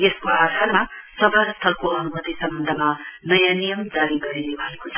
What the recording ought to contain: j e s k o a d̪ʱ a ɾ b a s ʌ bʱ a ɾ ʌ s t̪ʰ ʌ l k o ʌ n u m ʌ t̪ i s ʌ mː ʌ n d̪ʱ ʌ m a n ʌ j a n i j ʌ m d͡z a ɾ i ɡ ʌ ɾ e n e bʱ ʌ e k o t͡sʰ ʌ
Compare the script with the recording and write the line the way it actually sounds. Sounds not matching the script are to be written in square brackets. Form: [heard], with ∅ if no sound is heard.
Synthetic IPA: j e s k o a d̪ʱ a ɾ [m] a s ʌ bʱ a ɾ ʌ s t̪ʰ ʌ l k o ʌ n u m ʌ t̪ i s ʌ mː ʌ n d̪ʱ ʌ m a n ʌ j a n i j ʌ m d͡z a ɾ i ɡ ʌ ɾ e n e bʱ ʌ e k o t͡sʰ ʌ